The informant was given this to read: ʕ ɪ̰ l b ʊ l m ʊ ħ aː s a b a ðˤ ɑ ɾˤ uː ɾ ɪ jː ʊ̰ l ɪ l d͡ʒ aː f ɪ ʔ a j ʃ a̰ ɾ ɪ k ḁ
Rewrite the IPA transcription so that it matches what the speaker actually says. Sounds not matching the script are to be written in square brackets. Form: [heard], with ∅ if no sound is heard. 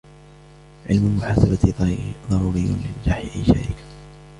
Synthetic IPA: ʕ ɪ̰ l [m] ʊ l m ʊ ħ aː s a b a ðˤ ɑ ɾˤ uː ɾ ɪ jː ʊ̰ l ɪ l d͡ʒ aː [ħ] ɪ ʔ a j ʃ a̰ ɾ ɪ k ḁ